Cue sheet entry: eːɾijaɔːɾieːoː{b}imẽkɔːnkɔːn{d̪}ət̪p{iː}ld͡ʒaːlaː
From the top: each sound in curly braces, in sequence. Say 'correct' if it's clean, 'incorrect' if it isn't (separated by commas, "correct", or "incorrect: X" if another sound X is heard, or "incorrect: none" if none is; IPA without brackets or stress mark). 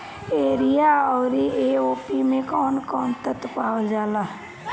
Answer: incorrect: p, incorrect: t̪, incorrect: aː